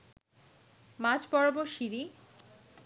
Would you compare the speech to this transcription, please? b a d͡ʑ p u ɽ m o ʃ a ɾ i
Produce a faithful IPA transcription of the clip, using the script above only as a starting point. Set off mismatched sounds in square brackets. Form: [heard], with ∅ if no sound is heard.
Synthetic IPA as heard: [m] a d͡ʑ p [ɔ] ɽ [b] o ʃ [i] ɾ i